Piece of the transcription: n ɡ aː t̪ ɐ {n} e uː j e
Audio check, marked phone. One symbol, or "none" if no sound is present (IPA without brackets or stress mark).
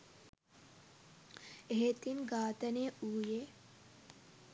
n